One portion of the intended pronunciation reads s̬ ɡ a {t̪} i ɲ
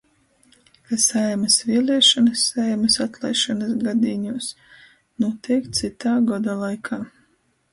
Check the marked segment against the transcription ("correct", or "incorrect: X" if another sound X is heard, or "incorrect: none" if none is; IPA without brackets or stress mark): incorrect: d̪